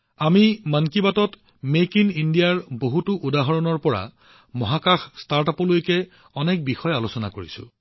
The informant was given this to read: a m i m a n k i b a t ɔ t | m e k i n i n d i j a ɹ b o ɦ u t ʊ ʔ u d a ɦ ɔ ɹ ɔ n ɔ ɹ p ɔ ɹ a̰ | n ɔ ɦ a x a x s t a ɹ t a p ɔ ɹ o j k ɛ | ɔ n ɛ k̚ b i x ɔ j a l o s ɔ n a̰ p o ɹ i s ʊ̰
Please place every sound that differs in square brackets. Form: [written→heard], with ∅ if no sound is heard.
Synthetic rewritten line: a m i m a n k i b a t ɔ t | m e k i n i n d i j a ɹ b o ɦ u t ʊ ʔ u d a ɦ ɔ ɹ ɔ n ɔ ɹ p ɔ ɹ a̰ | [n→m] ɔ ɦ a [x→k] a x s t a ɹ t a p ɔ [ɹ→l] o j k ɛ | ɔ n ɛ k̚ b i x ɔ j a l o s ɔ n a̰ [p→k] o ɹ i s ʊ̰